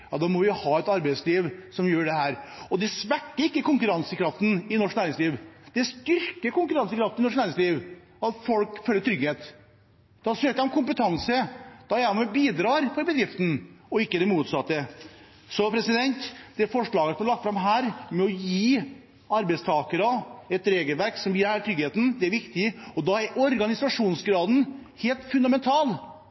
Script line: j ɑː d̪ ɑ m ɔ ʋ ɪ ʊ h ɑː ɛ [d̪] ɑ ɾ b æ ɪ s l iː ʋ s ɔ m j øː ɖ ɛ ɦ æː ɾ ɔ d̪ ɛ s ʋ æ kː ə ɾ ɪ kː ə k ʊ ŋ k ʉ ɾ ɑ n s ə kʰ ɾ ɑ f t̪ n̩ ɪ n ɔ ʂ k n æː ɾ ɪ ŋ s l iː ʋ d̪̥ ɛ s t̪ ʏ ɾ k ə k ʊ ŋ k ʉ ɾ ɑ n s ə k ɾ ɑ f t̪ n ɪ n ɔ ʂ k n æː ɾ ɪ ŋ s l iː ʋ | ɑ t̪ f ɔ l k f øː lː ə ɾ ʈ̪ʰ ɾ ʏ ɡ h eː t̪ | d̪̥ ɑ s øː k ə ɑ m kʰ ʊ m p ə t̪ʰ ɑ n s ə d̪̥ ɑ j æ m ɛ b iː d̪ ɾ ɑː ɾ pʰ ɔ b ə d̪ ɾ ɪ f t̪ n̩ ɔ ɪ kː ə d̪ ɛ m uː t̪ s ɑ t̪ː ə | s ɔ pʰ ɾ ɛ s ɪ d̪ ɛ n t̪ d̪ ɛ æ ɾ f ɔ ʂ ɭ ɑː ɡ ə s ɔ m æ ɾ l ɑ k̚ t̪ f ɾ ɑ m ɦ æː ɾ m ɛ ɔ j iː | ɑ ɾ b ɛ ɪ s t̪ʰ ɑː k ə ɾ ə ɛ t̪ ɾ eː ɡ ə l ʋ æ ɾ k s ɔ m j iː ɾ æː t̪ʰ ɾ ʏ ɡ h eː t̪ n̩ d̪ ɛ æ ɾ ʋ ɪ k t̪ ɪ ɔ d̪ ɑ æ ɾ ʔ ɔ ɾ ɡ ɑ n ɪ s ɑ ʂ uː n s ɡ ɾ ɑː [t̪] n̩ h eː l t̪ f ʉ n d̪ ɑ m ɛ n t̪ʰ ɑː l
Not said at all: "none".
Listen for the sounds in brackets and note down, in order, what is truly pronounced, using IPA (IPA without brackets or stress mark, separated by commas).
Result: t̪, d̪